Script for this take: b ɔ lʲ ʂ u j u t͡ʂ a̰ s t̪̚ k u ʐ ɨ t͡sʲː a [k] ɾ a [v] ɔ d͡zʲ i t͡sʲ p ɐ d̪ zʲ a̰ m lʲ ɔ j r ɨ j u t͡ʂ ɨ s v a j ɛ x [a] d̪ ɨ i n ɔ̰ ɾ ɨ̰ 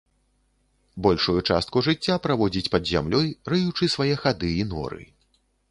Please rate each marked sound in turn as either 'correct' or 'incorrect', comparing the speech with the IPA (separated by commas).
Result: incorrect, correct, correct